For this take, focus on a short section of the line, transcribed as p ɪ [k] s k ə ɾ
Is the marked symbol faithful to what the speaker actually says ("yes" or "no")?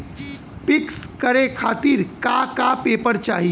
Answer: yes